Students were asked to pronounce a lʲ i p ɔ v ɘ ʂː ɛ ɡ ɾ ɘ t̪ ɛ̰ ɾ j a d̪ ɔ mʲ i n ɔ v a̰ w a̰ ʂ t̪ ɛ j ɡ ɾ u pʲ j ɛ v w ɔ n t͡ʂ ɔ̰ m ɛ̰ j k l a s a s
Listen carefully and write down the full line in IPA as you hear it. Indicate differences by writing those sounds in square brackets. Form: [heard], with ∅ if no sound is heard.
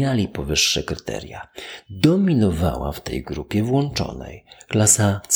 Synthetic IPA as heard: a lʲ i p ɔ v ɘ ʂː ɛ [k] ɾ ɘ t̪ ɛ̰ ɾ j a d̪ ɔ mʲ i n ɔ v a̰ w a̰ [f] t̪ ɛ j ɡ ɾ u pʲ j ɛ v w ɔ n t͡ʂ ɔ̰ [n] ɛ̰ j k l a s a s